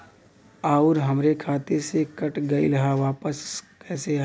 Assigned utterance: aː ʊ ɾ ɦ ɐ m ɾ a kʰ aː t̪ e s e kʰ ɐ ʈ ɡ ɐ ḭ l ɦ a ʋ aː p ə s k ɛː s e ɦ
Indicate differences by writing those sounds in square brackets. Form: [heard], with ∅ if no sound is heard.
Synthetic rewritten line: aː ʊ ɾ ɦ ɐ m ɾ [e] kʰ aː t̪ e s e [k] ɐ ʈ ɡ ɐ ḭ l ɦ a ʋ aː p ə s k ɛː s e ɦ